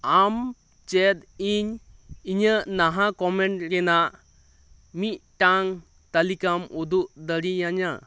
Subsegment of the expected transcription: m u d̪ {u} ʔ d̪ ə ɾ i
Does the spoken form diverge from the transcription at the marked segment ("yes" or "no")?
no